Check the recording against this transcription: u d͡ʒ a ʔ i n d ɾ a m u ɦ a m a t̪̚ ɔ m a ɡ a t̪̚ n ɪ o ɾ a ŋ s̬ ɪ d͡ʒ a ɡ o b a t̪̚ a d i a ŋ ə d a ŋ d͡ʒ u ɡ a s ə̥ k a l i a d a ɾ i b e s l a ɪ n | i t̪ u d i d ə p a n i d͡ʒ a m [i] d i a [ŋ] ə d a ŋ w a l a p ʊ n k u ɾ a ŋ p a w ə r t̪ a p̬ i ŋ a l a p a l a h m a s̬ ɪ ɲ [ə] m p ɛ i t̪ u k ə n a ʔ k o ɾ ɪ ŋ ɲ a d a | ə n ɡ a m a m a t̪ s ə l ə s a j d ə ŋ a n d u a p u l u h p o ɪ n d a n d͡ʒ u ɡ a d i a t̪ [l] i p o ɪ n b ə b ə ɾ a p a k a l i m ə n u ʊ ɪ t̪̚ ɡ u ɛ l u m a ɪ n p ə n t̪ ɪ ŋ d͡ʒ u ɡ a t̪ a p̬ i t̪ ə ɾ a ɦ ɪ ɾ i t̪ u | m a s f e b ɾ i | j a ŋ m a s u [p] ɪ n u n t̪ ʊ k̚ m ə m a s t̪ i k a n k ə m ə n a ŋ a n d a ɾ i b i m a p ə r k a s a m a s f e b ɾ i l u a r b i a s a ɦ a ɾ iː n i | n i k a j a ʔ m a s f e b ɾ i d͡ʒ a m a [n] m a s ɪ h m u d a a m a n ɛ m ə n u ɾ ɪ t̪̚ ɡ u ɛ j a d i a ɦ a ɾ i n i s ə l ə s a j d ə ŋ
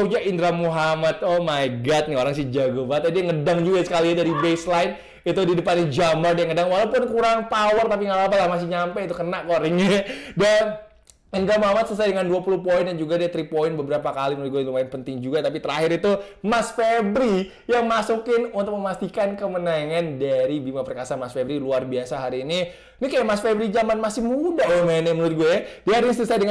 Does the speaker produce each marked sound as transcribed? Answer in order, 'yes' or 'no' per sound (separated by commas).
no, yes, no, no, no, yes